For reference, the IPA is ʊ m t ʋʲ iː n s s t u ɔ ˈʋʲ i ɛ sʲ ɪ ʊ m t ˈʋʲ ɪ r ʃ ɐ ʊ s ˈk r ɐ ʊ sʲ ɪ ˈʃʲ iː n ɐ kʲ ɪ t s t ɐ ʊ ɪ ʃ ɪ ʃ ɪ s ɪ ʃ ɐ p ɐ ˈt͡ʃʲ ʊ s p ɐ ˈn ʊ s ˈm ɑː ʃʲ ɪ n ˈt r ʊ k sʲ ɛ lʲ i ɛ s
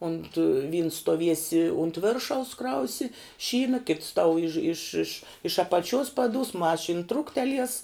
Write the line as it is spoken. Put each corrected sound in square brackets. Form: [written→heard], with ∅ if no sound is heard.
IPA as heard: ʊ [m→n] t ʋʲ iː n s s t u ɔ ˈʋʲ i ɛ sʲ ɪ ʊ [m→n] t ˈʋʲ ɪ r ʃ ɐ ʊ s ˈk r ɐ ʊ sʲ ɪ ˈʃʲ iː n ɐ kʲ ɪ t s t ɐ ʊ ɪ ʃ ɪ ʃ ɪ [s→ʃ] ɪ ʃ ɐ p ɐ ˈt͡ʃʲ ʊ s p ɐ [ˈn→ˈd] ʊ s ˈm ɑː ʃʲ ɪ n ˈt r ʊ k [sʲ→tʲ] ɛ lʲ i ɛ s